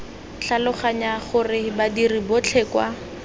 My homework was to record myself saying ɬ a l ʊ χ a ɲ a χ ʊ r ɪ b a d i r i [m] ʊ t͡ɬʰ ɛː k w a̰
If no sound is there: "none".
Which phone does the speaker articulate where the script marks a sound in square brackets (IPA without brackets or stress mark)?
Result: b